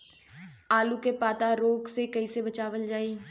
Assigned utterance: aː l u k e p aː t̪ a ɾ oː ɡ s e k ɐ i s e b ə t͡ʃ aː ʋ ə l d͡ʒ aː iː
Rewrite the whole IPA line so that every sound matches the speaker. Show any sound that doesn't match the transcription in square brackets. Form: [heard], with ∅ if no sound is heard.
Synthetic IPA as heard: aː l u k e p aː t̪ a ɾ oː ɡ s e k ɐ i s e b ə t͡ʃ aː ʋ ə l d͡ʒ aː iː